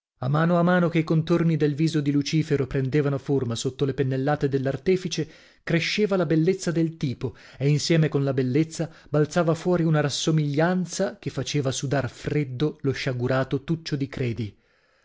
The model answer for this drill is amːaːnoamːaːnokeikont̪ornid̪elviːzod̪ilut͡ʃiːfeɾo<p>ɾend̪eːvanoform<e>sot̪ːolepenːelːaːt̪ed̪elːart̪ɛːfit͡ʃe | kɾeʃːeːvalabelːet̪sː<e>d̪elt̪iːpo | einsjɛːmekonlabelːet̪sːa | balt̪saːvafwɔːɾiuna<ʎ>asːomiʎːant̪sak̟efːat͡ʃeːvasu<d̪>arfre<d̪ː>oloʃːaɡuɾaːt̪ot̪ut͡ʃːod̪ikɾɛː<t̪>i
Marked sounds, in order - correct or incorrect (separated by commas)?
correct, incorrect, incorrect, incorrect, correct, correct, incorrect